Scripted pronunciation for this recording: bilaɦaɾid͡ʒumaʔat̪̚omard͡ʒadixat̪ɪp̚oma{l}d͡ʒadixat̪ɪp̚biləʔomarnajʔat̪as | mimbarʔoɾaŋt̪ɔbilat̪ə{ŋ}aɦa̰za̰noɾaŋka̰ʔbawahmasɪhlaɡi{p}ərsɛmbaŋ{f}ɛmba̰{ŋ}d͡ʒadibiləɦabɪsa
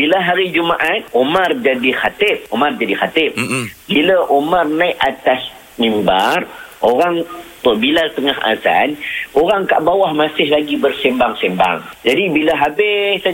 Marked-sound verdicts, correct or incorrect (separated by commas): incorrect, correct, incorrect, incorrect, correct